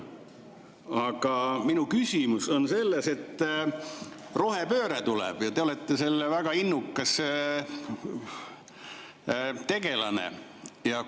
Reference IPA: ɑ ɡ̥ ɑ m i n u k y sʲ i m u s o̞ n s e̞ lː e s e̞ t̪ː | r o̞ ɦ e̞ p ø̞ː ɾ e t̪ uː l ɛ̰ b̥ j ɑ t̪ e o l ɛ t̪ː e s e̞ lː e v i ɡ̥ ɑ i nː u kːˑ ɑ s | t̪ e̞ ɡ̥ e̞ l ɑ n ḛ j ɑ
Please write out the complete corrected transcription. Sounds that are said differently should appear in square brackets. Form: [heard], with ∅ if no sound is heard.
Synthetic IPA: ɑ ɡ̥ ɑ m i n u k y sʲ i m u s o̞ n s e̞ lː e s e̞ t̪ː | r o̞ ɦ e̞ p ø̞ː ɾ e t̪ [u] l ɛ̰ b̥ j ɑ t̪ e o l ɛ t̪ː e s e̞ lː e v [æ] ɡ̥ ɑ i nː u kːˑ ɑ s | t̪ e̞ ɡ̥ e̞ l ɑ n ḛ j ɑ